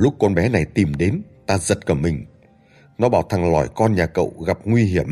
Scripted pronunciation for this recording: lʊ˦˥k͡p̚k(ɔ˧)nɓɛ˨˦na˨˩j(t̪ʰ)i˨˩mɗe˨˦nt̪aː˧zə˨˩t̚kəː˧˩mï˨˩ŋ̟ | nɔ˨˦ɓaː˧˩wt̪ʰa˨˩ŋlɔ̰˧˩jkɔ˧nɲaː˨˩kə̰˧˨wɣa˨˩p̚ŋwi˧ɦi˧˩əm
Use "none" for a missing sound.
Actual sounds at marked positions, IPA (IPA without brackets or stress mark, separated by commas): ɔ˧, t̪